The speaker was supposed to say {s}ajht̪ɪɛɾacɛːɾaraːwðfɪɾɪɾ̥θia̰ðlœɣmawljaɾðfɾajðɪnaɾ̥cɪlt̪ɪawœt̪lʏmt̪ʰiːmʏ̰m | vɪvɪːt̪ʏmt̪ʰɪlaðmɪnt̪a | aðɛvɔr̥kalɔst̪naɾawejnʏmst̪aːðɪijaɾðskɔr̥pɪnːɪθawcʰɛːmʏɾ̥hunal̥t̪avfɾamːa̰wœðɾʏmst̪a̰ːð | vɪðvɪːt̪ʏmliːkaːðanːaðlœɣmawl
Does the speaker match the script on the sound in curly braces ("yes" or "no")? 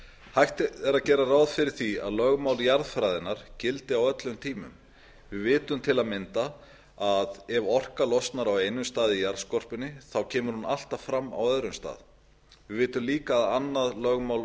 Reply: no